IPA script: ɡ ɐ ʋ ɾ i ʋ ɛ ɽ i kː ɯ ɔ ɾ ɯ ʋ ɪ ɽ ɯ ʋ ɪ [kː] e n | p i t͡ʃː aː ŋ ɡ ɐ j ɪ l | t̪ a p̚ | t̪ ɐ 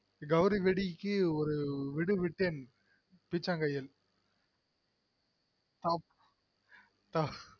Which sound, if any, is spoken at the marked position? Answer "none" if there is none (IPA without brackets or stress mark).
ʈː